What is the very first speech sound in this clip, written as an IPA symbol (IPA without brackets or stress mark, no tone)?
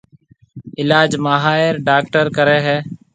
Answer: ɪ